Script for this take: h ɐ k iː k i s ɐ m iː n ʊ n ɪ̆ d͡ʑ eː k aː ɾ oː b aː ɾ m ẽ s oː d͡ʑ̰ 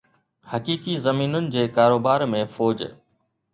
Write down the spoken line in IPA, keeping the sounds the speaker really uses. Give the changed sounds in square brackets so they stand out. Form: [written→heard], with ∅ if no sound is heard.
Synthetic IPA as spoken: h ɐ k iː k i [s→z] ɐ m iː n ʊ n ɪ̆ d͡ʑ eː k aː ɾ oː b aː ɾ m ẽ [s→f] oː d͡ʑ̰